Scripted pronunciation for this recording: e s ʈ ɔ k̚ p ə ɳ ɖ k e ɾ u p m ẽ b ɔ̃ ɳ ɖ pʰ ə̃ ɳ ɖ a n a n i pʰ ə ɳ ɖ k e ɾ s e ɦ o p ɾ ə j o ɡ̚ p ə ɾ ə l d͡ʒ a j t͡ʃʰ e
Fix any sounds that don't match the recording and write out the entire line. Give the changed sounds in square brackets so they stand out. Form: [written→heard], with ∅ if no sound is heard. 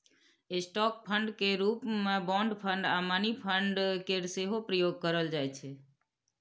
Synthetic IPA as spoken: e s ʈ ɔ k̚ [p→pʰ] ə ɳ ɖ k e ɾ u p m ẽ b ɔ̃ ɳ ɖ pʰ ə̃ ɳ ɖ a [n→m] a n i pʰ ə ɳ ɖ k e ɾ s e ɦ o p ɾ ə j o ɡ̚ [p→k] ə ɾ ə l d͡ʒ a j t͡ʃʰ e